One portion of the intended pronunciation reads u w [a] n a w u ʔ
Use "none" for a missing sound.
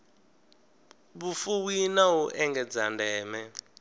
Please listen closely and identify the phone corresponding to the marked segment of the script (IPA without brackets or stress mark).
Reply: i